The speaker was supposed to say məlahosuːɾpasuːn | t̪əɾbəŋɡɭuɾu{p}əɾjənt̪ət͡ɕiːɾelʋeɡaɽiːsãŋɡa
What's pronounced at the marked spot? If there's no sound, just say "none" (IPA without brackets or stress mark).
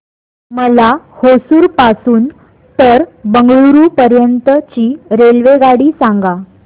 p